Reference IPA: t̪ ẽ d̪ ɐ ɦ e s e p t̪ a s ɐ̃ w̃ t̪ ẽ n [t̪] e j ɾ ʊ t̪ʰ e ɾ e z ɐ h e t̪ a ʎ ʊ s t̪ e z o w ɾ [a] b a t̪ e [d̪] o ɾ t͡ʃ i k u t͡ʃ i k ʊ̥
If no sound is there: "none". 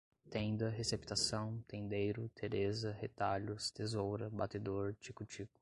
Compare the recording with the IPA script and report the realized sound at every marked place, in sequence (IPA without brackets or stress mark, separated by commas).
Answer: d̪, ɐ, d̪